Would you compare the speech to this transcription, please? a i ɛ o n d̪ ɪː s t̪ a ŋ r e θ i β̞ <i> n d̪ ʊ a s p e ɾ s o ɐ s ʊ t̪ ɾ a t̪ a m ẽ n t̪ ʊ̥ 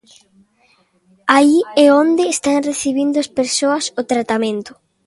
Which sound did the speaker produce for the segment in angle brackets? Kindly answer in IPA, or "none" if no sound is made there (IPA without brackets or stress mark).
i